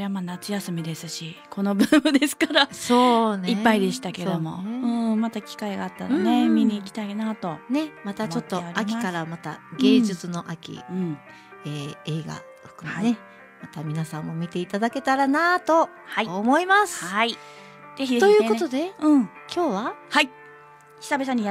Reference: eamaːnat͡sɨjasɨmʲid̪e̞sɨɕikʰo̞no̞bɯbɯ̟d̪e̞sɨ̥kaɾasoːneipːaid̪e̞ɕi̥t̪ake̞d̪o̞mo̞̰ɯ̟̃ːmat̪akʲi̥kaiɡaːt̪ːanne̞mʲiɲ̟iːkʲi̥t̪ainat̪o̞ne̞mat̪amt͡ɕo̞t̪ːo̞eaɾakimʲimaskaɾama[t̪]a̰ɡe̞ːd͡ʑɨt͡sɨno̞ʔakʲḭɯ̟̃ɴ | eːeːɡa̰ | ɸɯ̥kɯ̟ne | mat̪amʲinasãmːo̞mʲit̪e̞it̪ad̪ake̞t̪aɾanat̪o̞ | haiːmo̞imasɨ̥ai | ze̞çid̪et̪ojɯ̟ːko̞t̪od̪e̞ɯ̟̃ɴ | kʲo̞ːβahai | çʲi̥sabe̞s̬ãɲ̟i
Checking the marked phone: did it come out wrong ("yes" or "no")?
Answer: no